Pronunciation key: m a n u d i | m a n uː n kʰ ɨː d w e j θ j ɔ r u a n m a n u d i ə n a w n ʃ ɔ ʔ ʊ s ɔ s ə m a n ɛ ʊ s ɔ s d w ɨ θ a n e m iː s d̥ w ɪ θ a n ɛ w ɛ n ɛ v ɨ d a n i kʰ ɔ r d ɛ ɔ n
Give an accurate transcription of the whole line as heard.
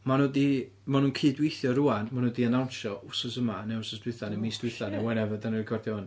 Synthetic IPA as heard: m a n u d i | m a n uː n kʰ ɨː d w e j θ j ɔ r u a n m a n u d i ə n a w n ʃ ɔ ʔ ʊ s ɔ s ə m a n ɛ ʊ s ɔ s d w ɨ θ a n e m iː s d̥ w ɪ θ a n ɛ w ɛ n ɛ v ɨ d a n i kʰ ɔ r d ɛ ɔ n